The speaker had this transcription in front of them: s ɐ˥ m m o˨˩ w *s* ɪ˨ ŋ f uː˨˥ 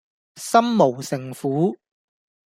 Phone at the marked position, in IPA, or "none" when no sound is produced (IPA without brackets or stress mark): s